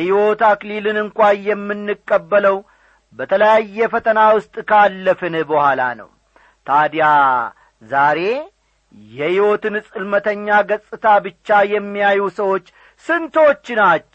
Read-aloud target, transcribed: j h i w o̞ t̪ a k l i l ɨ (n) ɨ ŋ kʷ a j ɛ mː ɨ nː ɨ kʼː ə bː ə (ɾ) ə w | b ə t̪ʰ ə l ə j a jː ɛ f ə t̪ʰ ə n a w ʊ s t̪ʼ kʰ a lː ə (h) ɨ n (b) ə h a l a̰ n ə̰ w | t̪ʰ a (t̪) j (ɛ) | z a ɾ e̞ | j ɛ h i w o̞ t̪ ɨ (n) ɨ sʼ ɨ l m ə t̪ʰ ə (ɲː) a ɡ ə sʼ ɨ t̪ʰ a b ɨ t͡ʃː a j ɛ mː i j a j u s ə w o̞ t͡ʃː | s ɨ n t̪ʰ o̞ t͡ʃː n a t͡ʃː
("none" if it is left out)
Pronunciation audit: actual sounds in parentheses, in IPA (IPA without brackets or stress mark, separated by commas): n, l, f, b, d̪, a, n, ɲː